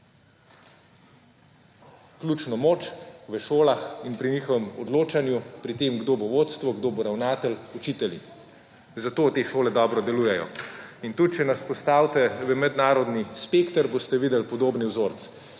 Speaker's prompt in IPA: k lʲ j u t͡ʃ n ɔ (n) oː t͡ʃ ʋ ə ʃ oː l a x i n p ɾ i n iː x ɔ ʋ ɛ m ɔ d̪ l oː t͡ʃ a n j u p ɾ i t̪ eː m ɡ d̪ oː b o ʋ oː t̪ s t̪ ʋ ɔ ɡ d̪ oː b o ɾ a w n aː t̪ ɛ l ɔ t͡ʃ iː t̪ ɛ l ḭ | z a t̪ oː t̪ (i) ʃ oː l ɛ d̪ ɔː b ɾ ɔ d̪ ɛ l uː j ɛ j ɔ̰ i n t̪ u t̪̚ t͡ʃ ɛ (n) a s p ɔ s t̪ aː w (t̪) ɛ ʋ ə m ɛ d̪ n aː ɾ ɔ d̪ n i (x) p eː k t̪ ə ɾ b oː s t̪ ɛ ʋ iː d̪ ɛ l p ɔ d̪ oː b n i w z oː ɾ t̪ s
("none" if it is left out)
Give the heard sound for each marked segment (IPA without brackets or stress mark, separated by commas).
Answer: m, e, n, t̪, s